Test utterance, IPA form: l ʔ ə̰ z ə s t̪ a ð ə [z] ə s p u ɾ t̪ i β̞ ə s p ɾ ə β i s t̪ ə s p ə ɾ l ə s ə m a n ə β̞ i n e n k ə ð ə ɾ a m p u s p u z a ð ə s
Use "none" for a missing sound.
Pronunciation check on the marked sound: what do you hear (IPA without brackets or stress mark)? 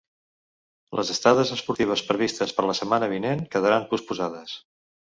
z